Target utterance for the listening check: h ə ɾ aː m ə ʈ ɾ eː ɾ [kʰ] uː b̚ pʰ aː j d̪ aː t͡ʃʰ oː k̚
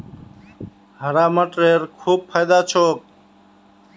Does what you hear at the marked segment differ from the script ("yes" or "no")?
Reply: no